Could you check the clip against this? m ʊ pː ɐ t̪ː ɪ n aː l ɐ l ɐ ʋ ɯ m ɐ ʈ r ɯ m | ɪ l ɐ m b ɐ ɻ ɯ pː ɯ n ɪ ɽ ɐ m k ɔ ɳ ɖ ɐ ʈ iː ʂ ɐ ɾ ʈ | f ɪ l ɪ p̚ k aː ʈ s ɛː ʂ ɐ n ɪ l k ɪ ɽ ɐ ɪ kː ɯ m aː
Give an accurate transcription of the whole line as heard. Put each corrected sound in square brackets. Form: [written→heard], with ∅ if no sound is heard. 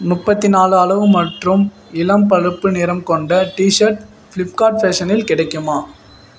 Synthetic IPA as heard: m ʊ pː ɐ t̪ː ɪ n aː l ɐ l ɐ ʋ ɯ m ɐ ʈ r ɯ m | ɪ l ɐ m [b→p] ɐ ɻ ɯ pː ɯ n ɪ [ɽ→ɾ] ɐ m k ɔ ɳ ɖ ɐ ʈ iː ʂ ɐ ɾ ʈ | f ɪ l ɪ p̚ k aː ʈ [s→f] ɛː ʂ ɐ n ɪ l k ɪ ɽ ɐ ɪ kː ɯ m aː